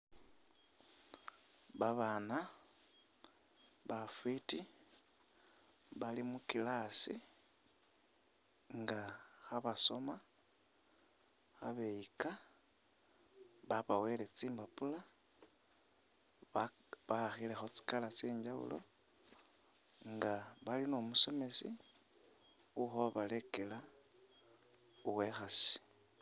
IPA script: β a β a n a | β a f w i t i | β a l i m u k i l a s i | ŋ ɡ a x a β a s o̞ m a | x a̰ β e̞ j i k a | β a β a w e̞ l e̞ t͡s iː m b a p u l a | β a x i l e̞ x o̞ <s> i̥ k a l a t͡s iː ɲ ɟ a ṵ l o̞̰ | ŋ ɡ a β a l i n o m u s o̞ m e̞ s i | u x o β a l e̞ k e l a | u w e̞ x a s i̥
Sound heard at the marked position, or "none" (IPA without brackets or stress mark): t͡s